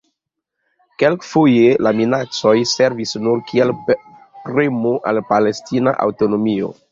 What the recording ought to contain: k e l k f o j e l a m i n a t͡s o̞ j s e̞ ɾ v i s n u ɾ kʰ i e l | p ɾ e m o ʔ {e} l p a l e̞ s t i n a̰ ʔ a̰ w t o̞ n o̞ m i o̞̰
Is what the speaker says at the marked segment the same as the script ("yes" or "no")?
no